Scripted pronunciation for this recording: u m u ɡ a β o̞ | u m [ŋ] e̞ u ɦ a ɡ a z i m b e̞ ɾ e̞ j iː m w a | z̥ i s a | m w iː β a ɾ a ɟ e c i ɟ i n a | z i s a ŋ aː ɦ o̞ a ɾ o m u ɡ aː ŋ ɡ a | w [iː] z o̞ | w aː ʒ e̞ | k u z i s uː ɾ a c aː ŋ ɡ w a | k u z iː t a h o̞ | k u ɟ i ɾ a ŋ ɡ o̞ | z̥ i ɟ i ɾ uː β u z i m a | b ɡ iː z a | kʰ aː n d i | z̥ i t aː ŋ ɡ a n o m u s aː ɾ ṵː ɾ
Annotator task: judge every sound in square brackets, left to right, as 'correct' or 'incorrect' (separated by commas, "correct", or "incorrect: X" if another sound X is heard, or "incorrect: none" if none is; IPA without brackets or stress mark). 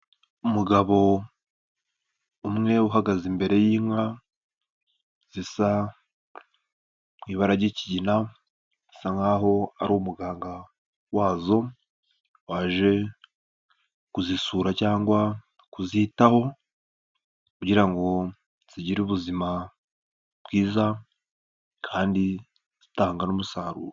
correct, incorrect: aː